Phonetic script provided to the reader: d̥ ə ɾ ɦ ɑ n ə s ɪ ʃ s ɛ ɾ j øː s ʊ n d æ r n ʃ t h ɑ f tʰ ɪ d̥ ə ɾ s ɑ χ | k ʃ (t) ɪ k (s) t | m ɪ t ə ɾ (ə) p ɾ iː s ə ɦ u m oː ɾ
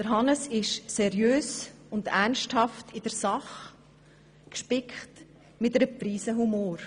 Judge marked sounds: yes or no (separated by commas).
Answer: no, no, yes